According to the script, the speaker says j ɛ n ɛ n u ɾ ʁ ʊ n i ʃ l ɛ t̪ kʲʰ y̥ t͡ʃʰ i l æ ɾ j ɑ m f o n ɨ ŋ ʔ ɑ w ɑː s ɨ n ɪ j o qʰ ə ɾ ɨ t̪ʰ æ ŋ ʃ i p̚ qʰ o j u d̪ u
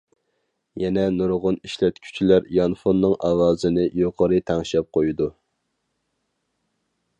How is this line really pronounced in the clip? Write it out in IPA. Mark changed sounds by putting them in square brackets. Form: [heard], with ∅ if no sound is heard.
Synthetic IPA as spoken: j ɛ n ɛ n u ɾ ʁ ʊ n i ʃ l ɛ t̪ kʲʰ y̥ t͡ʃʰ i l æ ɾ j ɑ [n] f o [nː] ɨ ŋ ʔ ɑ w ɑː [z] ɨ n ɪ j o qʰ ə ɾ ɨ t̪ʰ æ ŋ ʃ [ɛ] p̚ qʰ o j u d̪ u